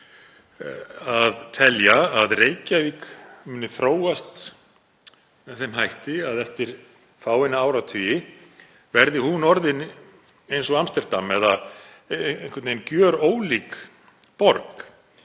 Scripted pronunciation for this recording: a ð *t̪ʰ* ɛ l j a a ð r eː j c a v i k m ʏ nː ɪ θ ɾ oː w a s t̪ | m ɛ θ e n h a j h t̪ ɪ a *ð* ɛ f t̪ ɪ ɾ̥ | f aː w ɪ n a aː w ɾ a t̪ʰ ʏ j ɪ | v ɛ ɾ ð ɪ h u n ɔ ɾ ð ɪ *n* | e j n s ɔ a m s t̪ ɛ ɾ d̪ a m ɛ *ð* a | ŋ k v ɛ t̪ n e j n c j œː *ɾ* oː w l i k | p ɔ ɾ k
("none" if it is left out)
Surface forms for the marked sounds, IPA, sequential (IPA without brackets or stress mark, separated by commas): t̪ʰ, ð, n, ð, ɾ